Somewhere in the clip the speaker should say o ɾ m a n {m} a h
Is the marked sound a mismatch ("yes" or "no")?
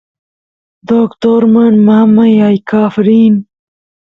no